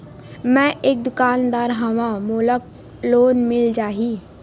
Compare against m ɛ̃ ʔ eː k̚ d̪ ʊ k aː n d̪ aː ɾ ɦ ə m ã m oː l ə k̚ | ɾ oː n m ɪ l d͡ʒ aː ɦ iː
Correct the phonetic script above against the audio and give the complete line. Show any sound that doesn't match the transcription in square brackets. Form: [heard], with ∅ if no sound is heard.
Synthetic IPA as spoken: m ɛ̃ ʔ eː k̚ d̪ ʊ k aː n d̪ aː ɾ ɦ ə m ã m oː l ə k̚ | [l] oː n m ɪ l d͡ʒ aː ɦ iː